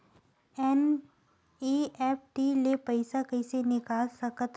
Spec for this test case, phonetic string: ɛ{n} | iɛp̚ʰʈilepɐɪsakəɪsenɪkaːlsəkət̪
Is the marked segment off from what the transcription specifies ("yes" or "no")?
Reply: no